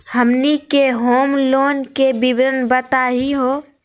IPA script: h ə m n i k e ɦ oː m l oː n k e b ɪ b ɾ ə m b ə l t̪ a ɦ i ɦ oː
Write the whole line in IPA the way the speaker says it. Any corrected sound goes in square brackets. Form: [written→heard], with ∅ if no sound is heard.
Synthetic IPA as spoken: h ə m n i k e ɦ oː m l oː n k e b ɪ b ɾ ə [m→n] b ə [l→∅] t̪ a ɦ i ɦ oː